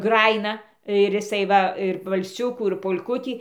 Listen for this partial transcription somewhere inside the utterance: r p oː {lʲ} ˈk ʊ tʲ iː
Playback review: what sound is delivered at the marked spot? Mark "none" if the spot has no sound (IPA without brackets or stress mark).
lʲ